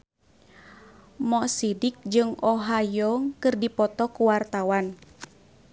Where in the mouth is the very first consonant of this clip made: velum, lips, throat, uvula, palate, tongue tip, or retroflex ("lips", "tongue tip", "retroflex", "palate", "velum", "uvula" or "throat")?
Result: lips